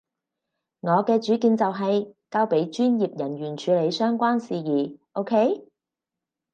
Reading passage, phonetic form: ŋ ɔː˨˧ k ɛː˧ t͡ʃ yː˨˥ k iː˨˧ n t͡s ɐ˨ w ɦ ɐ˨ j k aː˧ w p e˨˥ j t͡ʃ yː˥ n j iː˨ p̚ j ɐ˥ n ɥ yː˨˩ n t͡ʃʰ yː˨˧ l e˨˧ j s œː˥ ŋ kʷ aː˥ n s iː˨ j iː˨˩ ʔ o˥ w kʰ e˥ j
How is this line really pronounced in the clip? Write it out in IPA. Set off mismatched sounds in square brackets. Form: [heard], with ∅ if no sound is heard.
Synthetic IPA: ŋ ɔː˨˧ k ɛː˧ t͡ʃ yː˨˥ k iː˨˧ n t͡s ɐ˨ w ɦ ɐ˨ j k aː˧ w p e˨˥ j t͡ʃ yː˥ n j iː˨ p̚ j [ɐ˨˩] n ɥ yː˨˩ n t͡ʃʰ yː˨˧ l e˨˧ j s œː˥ ŋ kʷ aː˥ n s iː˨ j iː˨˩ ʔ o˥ w kʰ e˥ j